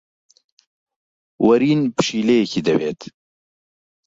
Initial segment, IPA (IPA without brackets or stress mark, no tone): w